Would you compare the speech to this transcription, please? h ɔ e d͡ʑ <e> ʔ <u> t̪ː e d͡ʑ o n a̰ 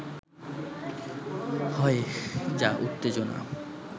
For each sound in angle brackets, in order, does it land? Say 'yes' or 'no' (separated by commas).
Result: no, yes